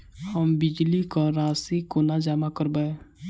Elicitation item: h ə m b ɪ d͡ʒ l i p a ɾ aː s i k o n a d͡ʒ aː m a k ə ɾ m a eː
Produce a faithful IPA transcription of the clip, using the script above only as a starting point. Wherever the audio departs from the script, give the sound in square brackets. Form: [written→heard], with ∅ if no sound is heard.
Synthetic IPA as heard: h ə m b ɪ d͡ʒ l i [p→k] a ɾ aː s i k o n a d͡ʒ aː m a k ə ɾ [m→b] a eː

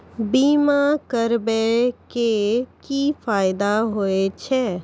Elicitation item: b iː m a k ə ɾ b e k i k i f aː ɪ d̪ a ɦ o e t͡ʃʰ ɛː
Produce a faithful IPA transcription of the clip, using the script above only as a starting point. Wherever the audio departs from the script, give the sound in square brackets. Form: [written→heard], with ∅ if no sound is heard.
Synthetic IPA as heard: b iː m a k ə ɾ b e k [i→e] k i f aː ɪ d̪ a ɦ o e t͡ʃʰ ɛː

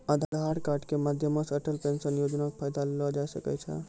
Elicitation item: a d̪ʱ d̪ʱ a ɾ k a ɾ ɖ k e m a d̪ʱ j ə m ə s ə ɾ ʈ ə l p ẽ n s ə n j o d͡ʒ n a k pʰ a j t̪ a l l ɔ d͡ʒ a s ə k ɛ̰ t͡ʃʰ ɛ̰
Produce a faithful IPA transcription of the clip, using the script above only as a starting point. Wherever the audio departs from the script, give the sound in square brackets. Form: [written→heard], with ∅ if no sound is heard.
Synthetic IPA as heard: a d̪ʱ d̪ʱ a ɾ k a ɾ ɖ k e m a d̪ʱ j ə m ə s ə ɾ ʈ ə l p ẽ n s ə n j o d͡ʒ n a k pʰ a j [t̪→d̪] a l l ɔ d͡ʒ a s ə k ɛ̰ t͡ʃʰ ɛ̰

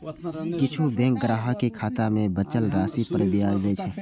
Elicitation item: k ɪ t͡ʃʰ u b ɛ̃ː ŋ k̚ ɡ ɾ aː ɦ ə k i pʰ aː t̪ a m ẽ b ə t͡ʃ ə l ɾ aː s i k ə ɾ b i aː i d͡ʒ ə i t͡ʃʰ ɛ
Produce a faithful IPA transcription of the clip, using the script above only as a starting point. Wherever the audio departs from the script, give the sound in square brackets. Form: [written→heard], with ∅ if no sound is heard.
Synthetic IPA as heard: k ɪ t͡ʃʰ u b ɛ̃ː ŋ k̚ ɡ ɾ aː ɦ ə k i [pʰ→kʰ] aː t̪ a m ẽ b ə t͡ʃ ə l ɾ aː s i [k→p] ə ɾ b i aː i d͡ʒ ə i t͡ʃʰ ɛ

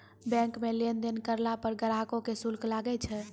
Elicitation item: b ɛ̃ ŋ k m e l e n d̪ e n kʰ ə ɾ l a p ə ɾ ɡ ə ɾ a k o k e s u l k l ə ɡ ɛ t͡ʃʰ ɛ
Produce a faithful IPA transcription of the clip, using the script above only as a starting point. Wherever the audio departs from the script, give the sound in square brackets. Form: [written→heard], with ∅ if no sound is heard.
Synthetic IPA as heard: b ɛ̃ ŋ k m e l e n d̪ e n [kʰ→k] ə ɾ l a p ə ɾ ɡ ə ɾ a k o k e s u l k l [ə→a] ɡ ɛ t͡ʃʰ ɛ

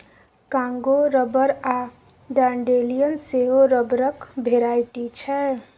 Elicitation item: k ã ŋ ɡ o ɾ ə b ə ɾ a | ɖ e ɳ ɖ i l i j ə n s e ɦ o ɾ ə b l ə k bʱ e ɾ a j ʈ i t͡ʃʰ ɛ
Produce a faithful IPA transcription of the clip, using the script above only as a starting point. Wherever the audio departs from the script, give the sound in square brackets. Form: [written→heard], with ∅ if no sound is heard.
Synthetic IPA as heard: k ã ŋ ɡ o ɾ ə b ə ɾ a | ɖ [e→a] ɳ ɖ [i→e] l i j ə n s e ɦ o ɾ ə b [l→ɾ] ə k bʱ e ɾ a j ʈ i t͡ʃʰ ɛ

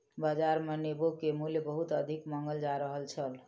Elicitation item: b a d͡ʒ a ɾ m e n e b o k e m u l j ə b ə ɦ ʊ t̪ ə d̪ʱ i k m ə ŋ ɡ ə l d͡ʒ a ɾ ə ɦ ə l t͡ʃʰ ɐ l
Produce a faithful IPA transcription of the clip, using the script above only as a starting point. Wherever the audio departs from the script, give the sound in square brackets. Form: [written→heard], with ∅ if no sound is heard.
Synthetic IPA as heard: b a d͡ʒ a ɾ m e n e b o k e m u l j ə b ə ɦ [ʊ→u] t̪ ə d̪ʱ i k m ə ŋ ɡ ə l d͡ʒ a ɾ ə ɦ ə l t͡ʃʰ [ɐ→ə] l

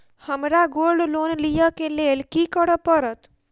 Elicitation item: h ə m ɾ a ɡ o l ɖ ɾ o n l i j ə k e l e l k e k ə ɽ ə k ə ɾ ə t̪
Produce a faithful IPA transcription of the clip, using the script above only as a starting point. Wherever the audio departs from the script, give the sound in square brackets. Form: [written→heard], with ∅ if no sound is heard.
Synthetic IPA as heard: h ə m ɾ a ɡ o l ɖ [ɾ→l] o n l i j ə k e l e l k [e→i] k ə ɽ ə [k→p] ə ɾ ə t̪

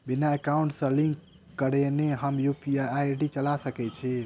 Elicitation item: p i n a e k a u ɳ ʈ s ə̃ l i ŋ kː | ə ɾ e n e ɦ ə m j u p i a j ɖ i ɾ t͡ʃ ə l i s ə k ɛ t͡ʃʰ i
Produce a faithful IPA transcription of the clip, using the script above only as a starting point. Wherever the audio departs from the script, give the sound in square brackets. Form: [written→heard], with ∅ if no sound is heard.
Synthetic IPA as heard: [p→b] i n a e k a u ɳ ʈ s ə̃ l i ŋ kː | ə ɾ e n e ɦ ə m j u p i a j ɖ i [ɾ→∅] t͡ʃ ə l [i→a] s ə k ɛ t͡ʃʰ i

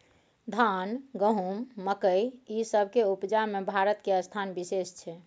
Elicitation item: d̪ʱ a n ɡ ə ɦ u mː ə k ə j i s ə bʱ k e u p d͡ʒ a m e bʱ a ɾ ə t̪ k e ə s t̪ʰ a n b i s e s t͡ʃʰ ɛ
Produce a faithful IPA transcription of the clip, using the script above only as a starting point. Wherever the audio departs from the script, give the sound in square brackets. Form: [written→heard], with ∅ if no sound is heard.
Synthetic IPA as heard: d̪ʱ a n ɡ ə ɦ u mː ə k ə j i s ə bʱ k e u p d͡ʒ a m e bʱ a ɾ ə t̪ k e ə s t̪ʰ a n b i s e s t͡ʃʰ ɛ

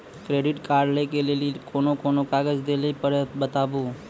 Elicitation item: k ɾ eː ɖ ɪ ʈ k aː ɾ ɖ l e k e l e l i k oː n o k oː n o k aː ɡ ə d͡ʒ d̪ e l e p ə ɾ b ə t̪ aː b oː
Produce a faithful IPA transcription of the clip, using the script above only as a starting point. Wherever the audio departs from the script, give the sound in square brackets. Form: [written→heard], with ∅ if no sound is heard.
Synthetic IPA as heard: k ɾ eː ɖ ɪ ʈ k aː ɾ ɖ l e k e l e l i k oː n o k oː n o k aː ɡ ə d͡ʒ d̪ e l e p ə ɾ b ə t̪ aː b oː

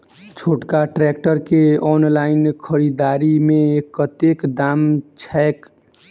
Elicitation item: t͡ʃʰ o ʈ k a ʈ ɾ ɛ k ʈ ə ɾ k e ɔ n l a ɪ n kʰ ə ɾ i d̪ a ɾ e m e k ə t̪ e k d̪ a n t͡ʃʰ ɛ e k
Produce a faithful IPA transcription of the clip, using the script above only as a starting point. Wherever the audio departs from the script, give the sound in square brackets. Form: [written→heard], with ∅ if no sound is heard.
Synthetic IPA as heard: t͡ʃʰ o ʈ k a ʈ ɾ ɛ k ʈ ə ɾ k e ɔ n l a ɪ n kʰ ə ɾ i d̪ a ɾ [e→i] m e k ə t̪ e k d̪ a [n→m] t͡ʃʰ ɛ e k

